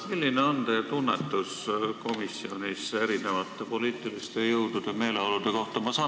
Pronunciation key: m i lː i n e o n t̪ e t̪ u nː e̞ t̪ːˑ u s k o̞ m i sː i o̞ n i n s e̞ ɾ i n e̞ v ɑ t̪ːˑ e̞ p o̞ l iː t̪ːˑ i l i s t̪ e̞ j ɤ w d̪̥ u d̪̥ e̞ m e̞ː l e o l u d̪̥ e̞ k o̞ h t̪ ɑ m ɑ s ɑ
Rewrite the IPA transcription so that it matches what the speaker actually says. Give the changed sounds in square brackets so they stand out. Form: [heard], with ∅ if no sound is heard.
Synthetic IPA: m i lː i n e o n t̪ e t̪ u nː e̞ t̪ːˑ u s k o̞ m i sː i o̞ n i [∅] s e̞ ɾ i n e̞ v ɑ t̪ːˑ e̞ p o̞ l iː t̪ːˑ i l i s t̪ e̞ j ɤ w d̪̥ u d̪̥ e̞ m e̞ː l e o l u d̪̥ e̞ k o̞ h t̪ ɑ m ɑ s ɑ